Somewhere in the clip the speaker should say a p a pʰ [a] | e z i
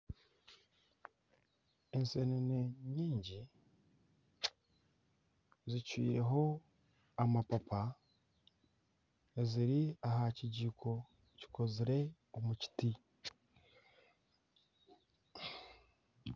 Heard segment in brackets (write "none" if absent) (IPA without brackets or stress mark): a